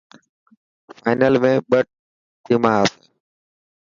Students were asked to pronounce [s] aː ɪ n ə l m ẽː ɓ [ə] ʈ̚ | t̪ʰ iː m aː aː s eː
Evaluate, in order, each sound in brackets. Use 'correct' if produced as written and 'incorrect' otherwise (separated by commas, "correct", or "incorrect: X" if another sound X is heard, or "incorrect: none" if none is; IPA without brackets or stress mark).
incorrect: f, correct